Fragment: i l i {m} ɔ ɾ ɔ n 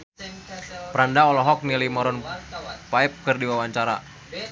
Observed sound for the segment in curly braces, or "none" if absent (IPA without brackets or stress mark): m